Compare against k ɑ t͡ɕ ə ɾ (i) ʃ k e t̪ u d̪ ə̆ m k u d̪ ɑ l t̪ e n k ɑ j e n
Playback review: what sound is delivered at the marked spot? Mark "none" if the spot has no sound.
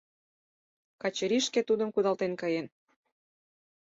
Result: i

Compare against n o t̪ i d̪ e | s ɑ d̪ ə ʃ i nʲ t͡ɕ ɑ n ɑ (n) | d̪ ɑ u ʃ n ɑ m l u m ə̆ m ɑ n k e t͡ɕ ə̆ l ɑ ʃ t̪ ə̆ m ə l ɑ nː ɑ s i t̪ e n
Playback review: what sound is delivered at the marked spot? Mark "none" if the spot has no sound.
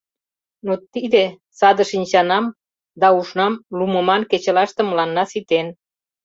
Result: m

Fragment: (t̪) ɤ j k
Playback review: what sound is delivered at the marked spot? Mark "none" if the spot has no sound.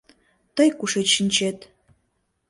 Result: t̪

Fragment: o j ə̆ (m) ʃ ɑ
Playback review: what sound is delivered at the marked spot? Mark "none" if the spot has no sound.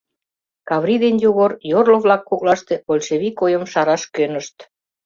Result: m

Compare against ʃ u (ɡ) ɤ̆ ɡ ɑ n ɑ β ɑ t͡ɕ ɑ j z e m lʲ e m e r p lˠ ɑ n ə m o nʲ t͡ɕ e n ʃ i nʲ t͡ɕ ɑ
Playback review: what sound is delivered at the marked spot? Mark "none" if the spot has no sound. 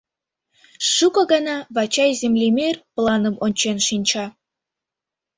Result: k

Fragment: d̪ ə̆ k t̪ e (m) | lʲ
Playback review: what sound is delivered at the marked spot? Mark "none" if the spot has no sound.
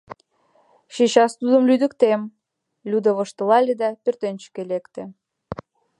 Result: m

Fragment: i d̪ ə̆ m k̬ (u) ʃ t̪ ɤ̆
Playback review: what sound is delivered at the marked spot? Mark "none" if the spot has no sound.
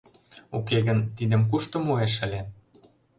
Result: u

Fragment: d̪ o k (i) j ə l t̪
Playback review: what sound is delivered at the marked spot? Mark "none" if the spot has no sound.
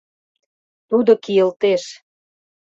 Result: i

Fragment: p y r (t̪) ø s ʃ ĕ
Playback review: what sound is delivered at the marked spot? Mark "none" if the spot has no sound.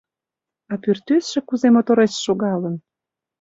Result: t̪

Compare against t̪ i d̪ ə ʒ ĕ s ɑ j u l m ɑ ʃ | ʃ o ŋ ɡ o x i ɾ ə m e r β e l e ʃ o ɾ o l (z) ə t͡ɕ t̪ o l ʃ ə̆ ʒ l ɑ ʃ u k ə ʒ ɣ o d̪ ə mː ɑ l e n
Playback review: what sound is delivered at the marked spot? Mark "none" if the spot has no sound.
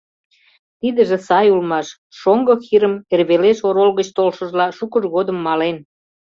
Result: ɣ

